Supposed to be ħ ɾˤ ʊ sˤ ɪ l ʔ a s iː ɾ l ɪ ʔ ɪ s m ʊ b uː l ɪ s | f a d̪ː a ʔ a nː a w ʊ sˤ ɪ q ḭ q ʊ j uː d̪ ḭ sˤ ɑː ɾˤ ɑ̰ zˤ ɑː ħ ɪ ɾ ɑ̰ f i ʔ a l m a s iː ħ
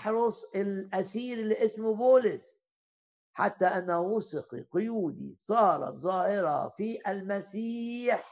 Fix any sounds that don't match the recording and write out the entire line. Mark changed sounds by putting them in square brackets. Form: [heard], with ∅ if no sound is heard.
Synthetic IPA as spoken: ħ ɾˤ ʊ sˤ ɪ l ʔ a s iː ɾ l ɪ ʔ ɪ s m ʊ b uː l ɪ s | [ħ] a [t̪ː] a ʔ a nː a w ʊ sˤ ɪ q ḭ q ʊ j uː d̪ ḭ sˤ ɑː ɾˤ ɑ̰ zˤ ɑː [h] ɪ ɾ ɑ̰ f i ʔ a l m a s iː ħ